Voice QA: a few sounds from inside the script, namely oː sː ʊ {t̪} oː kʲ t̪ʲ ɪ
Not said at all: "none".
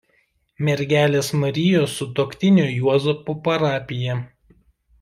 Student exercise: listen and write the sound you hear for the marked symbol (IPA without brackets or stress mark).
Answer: t̪